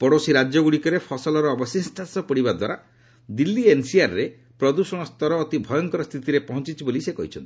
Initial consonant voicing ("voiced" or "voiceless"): voiceless